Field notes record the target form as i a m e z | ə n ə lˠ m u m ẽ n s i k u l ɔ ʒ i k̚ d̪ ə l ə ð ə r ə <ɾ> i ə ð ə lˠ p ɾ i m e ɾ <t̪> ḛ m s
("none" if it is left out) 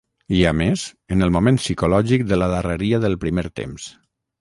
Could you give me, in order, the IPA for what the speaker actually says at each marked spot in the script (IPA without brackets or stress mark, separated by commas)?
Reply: ɾ, t̪